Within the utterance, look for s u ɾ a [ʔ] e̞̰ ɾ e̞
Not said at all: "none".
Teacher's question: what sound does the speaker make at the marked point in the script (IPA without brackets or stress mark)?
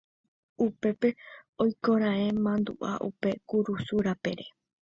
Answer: p